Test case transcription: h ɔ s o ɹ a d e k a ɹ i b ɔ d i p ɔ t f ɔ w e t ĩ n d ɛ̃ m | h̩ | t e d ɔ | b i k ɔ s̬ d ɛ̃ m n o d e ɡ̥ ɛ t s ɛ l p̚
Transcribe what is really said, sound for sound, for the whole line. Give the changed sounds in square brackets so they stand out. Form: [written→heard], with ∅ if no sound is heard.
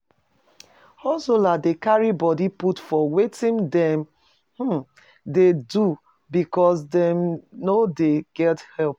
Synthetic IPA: h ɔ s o [ɹ→l] a d e k a ɹ i b ɔ d i p [ɔ→u] t f ɔ w e t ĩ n d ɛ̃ m | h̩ | [t→d] e d [ɔ→u] | b i k ɔ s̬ d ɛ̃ m n o d e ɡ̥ ɛ t [s→h] ɛ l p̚